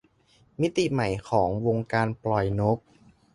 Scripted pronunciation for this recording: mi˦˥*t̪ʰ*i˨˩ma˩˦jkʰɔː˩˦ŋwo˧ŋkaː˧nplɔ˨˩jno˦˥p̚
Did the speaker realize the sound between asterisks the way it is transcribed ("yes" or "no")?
no